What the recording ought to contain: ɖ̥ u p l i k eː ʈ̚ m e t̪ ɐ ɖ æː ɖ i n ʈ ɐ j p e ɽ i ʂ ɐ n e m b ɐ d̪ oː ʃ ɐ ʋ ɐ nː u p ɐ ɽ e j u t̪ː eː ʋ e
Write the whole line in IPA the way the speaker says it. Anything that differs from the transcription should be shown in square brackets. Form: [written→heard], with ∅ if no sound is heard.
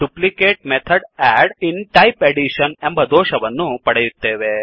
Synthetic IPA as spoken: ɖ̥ u p l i k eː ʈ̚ m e [t̪→t̪ʰ] ɐ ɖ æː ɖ i n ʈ ɐ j p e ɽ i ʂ ɐ n e m b ɐ d̪ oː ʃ ɐ ʋ ɐ nː u p ɐ ɽ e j u t̪ː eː ʋ e

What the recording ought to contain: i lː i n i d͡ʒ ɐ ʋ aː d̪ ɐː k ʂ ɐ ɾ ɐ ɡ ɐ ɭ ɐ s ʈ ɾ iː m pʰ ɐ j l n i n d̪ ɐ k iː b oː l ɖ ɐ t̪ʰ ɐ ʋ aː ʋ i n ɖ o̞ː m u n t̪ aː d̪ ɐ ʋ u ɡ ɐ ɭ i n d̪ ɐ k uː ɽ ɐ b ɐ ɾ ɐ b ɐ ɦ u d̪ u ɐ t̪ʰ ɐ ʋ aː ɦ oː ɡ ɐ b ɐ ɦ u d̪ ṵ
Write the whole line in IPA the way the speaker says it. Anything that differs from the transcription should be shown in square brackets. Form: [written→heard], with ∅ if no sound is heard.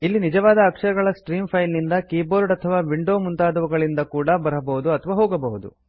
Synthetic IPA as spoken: i lː i n i d͡ʒ ɐ ʋ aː d̪ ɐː k ʂ ɐ ɾ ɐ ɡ ɐ ɭ ɐ s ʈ ɾ iː m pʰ ɐ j l n i n d̪ ɐ k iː b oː [l→ɾ] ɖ ɐ t̪ʰ ɐ ʋ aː ʋ i [n→ɳ] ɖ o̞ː m u n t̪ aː d̪ ɐ ʋ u ɡ ɐ ɭ i n d̪ ɐ k uː ɽ ɐ b ɐ ɾ ɐ b ɐ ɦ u d̪ u ɐ t̪ʰ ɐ ʋ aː ɦ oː ɡ ɐ b ɐ ɦ u d̪ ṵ

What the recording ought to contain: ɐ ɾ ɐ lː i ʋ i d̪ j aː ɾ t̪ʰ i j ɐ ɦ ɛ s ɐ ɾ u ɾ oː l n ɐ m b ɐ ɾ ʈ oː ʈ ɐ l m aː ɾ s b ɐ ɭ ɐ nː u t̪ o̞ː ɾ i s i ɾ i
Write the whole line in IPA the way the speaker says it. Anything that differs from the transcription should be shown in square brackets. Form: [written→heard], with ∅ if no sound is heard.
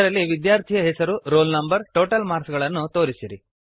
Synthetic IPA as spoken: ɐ ɾ ɐ lː i ʋ i d̪ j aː ɾ t̪ʰ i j ɐ ɦ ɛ s ɐ ɾ u ɾ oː l n ɐ m b ɐ ɾ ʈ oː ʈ ɐ l m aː ɾ s [b→ɡ] ɐ ɭ ɐ nː u t̪ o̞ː ɾ i s i ɾ i

